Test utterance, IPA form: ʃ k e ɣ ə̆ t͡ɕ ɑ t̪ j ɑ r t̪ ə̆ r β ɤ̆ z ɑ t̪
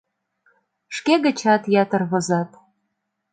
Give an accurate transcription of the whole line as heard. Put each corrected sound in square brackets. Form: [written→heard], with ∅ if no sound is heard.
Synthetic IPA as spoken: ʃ k e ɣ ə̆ t͡ɕ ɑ t̪ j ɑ [r→∅] t̪ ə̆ r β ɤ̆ z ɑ t̪